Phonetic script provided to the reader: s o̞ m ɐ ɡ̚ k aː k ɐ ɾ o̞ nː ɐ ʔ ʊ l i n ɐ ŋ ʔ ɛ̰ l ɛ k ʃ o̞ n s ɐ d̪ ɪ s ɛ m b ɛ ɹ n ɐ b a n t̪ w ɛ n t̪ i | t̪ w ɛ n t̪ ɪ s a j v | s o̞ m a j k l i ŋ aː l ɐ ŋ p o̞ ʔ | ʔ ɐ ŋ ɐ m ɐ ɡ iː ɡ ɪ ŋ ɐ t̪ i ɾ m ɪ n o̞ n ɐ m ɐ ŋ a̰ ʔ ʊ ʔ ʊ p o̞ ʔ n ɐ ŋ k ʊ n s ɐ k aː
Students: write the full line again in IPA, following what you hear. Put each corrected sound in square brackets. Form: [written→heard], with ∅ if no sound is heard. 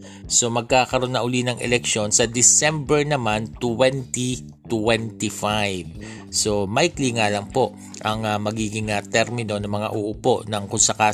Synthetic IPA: s o̞ m ɐ ɡ̚ k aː k ɐ ɾ o̞ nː ɐ ʔ ʊ l i n ɐ ŋ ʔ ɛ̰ l ɛ k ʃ o̞ n s ɐ d̪ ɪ s ɛ m b ɛ ɹ n ɐ [b→m] a n t̪ w ɛ n t̪ i | t̪ w ɛ n t̪ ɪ [s→f] a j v | s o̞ m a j k l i ŋ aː l ɐ ŋ p o̞ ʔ | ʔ ɐ ŋ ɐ m ɐ ɡ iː ɡ ɪ ŋ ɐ t̪ [i→ɛ] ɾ m ɪ n o̞ n ɐ m ɐ ŋ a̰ ʔ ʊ ʔ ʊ p o̞ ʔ n ɐ ŋ k ʊ n s ɐ k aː